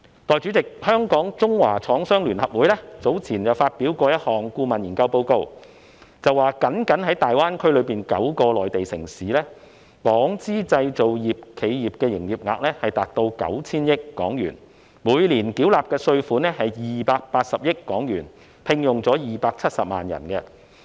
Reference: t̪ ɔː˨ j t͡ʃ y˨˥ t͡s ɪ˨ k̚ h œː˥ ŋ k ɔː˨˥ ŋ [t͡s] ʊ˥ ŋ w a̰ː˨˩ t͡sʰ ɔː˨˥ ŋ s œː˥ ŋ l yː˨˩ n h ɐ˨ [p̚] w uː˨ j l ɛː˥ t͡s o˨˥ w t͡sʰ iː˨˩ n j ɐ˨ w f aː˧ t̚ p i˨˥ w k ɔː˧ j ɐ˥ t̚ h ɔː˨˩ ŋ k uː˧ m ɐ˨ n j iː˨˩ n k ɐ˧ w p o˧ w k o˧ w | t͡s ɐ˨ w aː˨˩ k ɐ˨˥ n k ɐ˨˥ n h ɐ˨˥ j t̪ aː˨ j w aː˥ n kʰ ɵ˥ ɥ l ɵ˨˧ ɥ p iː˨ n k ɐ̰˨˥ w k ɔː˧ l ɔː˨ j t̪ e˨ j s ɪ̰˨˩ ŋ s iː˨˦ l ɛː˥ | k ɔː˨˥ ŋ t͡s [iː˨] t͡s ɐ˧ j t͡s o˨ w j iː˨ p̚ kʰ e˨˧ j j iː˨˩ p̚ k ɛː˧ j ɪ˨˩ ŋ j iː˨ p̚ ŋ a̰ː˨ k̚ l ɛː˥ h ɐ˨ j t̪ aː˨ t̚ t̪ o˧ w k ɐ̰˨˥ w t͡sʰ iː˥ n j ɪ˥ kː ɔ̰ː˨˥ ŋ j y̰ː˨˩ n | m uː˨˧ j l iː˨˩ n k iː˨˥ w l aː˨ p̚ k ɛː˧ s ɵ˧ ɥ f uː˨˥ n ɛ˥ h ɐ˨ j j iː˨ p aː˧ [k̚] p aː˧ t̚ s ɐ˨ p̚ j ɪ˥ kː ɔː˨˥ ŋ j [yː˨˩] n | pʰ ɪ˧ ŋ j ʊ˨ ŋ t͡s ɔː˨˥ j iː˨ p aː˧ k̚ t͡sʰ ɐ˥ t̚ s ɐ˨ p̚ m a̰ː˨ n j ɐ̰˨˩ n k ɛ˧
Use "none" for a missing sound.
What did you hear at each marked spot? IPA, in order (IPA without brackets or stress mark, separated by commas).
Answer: t͡s, p̚, iː˥, k̚, yː˨˩